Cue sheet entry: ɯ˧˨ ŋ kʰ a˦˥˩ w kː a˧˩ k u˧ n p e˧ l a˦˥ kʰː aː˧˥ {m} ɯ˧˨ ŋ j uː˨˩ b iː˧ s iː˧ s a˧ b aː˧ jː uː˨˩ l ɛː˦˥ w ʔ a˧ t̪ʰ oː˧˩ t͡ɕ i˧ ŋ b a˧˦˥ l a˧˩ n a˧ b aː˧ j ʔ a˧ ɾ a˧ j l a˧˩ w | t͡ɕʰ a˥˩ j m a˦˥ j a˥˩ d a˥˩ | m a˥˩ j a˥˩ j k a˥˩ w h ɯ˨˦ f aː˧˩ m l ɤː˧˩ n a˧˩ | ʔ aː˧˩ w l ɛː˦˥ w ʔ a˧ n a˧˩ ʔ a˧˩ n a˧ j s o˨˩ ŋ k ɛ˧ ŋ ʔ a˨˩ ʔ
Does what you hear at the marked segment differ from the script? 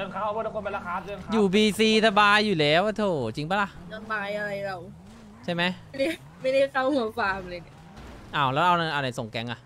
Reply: yes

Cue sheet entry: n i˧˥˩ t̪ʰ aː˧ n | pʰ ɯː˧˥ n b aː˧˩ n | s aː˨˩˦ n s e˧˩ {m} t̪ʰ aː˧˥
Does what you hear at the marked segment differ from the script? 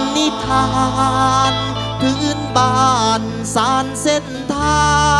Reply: yes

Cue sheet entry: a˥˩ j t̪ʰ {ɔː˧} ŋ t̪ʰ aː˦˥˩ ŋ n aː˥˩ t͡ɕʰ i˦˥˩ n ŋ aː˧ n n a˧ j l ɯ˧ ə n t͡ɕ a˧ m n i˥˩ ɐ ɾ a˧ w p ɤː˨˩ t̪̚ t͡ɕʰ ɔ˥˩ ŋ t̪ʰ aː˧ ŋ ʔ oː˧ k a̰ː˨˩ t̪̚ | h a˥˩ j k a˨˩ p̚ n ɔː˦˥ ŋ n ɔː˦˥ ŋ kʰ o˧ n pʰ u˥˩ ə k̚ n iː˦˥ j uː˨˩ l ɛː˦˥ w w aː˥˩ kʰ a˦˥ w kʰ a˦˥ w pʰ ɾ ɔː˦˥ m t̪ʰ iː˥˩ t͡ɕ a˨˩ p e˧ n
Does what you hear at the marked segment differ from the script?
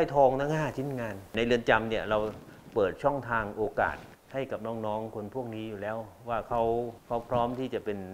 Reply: no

